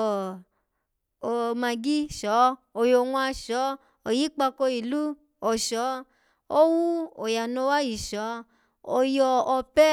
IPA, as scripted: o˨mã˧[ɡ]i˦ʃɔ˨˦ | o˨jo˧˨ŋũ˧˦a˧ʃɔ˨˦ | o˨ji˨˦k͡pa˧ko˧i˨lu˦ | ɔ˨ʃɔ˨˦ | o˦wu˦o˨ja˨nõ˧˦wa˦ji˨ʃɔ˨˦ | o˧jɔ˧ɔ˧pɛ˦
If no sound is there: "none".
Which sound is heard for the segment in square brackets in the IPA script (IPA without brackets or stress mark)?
ɡ